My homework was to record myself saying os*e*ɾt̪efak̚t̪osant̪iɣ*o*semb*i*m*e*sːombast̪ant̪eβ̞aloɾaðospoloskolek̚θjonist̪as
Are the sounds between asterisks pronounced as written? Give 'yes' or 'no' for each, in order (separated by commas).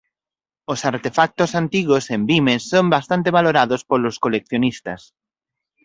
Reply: no, yes, yes, yes